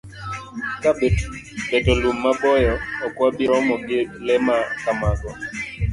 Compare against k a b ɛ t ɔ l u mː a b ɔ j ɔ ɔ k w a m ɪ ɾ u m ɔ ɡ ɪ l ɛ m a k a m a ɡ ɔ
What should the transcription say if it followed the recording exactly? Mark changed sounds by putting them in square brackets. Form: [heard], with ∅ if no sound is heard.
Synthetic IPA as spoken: k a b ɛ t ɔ l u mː a b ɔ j ɔ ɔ k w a [b] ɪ ɾ [ɔ] m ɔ ɡ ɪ l ɛ m a k a m a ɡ ɔ